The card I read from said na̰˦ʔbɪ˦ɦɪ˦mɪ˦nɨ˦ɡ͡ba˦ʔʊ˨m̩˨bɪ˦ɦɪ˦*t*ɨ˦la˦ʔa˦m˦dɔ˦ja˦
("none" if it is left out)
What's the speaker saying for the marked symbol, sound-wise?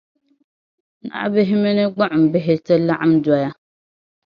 t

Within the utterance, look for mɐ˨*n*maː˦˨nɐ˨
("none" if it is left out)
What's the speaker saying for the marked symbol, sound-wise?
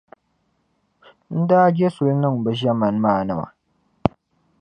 n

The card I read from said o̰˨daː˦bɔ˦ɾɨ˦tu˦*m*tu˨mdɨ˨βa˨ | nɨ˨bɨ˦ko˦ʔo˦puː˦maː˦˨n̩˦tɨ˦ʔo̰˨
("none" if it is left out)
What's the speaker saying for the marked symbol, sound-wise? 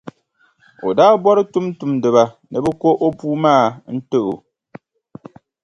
m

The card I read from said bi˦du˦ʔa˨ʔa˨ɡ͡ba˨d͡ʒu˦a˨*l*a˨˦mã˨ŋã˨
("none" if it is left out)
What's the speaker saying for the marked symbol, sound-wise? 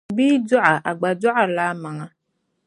l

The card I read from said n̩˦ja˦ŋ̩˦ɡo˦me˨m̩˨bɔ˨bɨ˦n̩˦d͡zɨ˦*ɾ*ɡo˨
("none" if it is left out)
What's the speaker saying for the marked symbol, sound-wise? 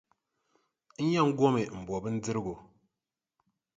ɾ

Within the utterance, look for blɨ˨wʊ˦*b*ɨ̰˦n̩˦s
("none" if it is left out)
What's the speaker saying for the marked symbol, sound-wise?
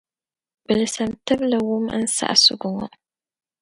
m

